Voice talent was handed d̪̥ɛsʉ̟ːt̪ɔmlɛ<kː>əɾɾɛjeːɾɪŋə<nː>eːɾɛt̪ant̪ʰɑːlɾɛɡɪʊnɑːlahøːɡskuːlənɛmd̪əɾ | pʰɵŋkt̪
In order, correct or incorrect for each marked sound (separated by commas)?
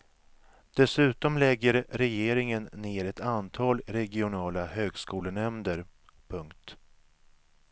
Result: incorrect, correct